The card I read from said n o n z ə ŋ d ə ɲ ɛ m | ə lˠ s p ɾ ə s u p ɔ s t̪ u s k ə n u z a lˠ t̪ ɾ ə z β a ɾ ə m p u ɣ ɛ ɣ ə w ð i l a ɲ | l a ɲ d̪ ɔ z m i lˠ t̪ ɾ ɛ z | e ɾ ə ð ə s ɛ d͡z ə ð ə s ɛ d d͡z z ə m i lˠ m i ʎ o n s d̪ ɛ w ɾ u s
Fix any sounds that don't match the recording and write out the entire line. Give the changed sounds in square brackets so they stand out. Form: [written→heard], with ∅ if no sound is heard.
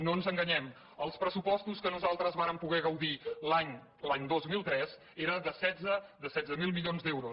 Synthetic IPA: n o n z ə ŋ [d→ɡ] ə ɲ ɛ m | ə lˠ s p ɾ ə s u p ɔ s t̪ u s k ə n u z a lˠ t̪ ɾ ə z β a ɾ ə m p u ɣ ɛ ɣ ə w ð i l a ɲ | l a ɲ d̪ [ɔ→o] z m i lˠ t̪ ɾ ɛ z | e ɾ ə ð ə s ɛ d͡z ə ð ə s ɛ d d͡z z ə m i lˠ m i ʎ o n [s→z] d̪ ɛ w ɾ u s